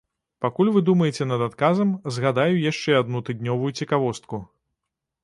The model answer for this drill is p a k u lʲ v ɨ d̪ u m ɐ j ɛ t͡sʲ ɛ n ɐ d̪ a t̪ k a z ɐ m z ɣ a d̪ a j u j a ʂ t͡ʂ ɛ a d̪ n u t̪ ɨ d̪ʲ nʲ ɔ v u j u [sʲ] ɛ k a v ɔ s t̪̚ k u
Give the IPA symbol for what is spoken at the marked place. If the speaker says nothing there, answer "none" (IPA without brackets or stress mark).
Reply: t͡sʲ